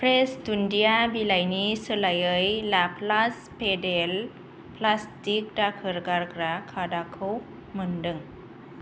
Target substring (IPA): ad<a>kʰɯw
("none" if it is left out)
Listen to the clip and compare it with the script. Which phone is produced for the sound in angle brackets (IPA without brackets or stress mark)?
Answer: a